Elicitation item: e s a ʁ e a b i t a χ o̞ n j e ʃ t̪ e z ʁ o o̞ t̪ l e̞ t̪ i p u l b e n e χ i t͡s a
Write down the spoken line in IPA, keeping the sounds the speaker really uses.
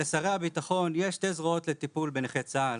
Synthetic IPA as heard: e s a ʁ e a b i t a χ o̞ n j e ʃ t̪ e z ʁ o o̞ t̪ l e̞ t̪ i p u l b e n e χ e t͡s a